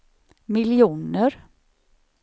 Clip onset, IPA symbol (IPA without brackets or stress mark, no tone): m